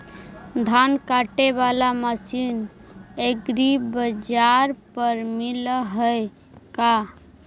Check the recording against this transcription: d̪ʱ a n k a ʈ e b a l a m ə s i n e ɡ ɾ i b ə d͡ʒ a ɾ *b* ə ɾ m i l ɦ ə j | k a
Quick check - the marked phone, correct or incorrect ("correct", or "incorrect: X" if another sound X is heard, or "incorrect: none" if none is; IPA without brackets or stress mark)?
incorrect: p